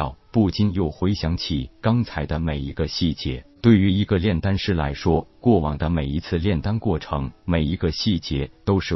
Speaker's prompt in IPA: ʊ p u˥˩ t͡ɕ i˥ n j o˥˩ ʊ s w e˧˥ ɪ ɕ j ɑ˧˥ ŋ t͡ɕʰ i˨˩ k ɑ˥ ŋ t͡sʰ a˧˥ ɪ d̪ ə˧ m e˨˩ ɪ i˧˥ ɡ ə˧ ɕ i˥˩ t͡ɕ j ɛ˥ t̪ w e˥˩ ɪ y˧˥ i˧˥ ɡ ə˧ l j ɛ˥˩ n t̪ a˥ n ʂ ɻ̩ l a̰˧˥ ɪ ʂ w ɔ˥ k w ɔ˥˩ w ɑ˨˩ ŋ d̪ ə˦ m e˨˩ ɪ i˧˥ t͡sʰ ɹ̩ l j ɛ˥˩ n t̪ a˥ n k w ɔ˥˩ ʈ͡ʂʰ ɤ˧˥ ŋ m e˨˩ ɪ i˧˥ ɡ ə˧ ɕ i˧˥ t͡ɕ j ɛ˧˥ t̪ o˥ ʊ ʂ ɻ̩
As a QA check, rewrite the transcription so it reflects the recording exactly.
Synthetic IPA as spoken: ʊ p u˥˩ t͡ɕ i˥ n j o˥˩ ʊ x w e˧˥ ɪ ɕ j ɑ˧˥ ŋ t͡ɕʰ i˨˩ k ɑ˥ ŋ t͡sʰ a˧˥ ɪ d̪ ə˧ m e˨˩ ɪ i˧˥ ɡ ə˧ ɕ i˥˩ t͡ɕ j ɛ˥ t̪ w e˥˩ ɪ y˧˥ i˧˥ ɡ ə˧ l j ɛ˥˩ n t̪ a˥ n ʂ ɻ̩ l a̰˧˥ ɪ ʂ w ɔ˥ k w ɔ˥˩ w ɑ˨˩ ŋ d̪ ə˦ m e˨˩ ɪ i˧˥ t͡sʰ ɹ̩ l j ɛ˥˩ n t̪ a˥ n k w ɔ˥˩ ʈ͡ʂʰ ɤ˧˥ ŋ m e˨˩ ɪ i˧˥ ɡ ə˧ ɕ i˥˩ t͡ɕ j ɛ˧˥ t̪ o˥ ʊ ʂ ɻ̩